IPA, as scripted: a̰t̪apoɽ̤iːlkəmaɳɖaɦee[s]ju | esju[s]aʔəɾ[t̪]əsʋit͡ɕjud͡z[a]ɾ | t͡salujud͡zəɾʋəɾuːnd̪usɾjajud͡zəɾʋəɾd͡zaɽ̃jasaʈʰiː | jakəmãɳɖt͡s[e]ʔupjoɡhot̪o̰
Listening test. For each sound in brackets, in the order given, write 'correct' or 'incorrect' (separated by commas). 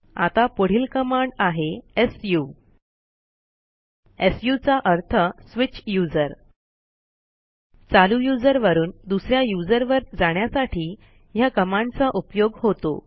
correct, incorrect, incorrect, incorrect, incorrect